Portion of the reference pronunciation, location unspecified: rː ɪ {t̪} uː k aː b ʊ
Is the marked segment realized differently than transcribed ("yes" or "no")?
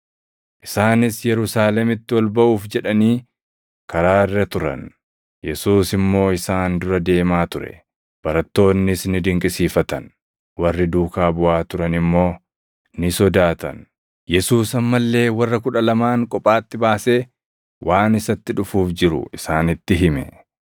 yes